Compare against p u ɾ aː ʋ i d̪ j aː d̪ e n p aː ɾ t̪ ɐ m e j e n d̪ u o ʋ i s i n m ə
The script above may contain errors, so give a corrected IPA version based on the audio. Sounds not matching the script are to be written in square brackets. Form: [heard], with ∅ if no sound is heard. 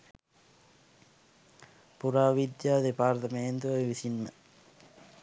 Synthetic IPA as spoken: p u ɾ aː ʋ i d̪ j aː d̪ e [∅] p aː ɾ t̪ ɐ m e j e n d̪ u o ʋ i s i n m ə